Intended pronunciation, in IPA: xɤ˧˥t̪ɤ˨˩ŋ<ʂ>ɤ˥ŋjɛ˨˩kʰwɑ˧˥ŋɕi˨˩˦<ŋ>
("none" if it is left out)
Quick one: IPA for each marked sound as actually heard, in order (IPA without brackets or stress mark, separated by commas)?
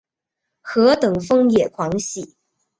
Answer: f, none